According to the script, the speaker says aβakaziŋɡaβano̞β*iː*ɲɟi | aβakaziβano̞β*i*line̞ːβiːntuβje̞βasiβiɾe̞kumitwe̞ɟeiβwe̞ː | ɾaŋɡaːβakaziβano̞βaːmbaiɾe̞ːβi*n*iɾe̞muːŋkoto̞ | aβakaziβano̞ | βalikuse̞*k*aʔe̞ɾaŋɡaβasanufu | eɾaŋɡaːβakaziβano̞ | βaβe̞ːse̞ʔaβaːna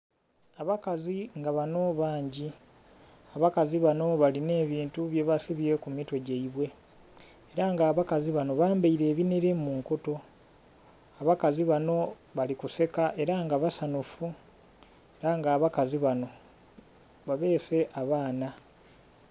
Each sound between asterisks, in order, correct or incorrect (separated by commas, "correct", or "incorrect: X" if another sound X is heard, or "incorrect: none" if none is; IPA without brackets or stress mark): incorrect: aː, incorrect: a, correct, correct